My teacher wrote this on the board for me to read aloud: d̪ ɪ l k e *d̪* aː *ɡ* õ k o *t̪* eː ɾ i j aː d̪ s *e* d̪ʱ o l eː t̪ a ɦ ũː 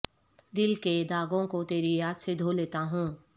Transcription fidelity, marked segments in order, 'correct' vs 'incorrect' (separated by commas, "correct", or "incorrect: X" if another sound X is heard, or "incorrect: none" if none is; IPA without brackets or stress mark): correct, correct, correct, correct